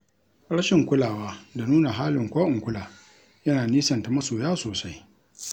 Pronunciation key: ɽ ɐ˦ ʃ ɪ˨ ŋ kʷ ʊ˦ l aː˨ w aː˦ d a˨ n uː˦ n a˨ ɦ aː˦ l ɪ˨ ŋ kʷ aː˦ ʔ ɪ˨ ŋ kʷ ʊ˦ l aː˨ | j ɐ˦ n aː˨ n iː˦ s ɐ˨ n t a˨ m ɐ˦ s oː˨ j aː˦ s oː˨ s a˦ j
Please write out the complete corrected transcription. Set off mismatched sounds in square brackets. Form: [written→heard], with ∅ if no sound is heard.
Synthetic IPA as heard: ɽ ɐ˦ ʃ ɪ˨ ŋ kʷ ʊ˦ l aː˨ w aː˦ d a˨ n uː˦ n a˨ ɦ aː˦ l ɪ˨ ŋ kʷ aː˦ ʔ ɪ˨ ŋ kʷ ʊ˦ l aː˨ | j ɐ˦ n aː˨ n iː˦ s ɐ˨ n t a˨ m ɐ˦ s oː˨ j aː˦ s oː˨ s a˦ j

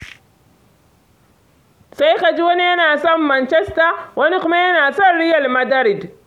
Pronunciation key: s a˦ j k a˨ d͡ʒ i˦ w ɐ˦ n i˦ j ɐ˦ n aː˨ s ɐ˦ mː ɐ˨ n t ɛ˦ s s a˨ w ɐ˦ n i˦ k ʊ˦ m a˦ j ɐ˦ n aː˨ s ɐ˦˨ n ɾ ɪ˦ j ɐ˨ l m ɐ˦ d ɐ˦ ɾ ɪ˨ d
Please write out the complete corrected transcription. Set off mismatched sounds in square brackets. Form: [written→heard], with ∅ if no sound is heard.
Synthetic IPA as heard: s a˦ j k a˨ d͡ʒ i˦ w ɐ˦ n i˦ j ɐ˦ n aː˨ s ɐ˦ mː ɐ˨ n [t→t͡ʃ] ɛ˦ s [s→t] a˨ w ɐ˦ n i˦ k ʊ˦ m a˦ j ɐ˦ n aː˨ s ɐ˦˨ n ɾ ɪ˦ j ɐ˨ l m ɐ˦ d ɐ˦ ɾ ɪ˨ d

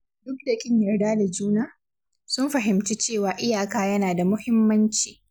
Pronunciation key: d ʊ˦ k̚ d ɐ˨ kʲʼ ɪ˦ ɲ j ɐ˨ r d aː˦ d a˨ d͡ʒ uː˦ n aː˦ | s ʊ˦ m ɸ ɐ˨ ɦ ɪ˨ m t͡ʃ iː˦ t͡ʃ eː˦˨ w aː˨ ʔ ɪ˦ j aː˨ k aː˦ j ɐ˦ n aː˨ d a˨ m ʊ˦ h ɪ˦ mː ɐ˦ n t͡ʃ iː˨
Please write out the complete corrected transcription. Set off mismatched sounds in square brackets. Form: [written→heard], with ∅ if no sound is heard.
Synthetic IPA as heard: d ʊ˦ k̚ d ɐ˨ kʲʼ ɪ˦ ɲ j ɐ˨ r d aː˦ d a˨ d͡ʒ uː˦ n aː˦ | s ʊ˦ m ɸ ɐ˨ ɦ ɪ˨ m t͡ʃ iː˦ t͡ʃ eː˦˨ w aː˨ ʔ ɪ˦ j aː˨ k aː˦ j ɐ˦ n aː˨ d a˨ m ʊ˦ h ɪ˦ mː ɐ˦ n t͡ʃ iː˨

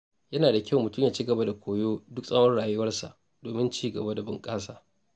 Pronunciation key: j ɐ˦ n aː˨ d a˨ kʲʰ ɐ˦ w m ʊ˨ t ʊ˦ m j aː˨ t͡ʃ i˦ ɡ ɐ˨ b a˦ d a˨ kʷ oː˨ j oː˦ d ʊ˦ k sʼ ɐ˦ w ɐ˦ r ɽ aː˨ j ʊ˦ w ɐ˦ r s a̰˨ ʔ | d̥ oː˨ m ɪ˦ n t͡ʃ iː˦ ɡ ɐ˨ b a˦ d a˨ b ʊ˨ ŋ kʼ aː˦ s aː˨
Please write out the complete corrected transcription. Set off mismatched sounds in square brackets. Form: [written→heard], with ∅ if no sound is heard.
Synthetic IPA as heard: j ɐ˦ n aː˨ d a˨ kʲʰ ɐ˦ w m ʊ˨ t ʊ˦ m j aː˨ t͡ʃ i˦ ɡ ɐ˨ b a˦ d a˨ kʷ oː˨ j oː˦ d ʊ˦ k sʼ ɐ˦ w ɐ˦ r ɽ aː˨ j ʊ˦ w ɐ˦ r s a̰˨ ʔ | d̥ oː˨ m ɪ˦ n t͡ʃ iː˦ ɡ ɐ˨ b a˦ d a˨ b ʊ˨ ŋ kʼ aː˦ s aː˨

